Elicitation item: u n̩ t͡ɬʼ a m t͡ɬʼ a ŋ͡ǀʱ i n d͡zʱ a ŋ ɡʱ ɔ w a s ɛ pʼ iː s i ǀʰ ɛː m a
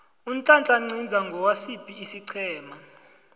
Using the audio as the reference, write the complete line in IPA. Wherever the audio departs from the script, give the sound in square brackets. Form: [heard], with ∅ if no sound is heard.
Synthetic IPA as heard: u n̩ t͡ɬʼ a [n] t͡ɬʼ a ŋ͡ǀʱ i n d͡zʱ a ŋ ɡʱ ɔ w a s [i] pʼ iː s i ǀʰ ɛː m a